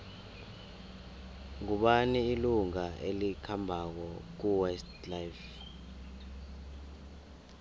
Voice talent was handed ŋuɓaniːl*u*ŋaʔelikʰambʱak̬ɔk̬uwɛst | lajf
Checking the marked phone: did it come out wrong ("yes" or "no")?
no